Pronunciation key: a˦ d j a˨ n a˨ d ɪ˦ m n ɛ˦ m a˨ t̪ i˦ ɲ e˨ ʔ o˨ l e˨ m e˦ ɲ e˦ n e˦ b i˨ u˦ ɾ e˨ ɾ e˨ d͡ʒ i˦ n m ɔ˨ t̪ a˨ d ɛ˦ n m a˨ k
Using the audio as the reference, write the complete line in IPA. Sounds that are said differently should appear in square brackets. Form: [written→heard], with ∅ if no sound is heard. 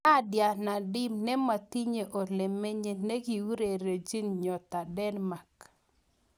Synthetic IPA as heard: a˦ d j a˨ n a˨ d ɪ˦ m n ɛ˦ m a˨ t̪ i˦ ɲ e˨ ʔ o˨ l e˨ m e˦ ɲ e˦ n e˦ [b→ɡ] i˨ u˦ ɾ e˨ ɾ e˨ d͡ʒ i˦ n [m→ɲ] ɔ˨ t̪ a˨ d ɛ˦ n m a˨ k